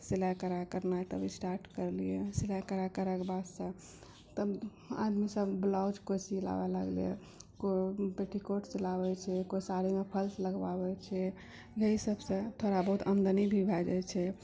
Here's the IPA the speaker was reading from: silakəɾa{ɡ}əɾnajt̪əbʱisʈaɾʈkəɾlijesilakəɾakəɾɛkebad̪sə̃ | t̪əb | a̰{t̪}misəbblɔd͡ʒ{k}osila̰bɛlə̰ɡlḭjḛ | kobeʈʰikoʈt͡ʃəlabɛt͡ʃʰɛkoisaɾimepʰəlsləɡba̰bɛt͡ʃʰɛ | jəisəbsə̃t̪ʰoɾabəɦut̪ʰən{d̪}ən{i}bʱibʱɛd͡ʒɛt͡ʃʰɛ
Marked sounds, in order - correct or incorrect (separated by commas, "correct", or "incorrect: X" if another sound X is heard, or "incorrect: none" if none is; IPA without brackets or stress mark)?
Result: incorrect: k, incorrect: d̪, correct, correct, correct